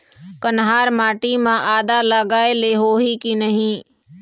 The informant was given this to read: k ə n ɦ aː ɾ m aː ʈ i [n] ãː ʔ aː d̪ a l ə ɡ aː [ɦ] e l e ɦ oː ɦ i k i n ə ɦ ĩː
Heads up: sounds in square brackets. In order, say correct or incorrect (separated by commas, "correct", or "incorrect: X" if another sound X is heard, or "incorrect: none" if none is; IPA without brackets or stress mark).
incorrect: m, incorrect: none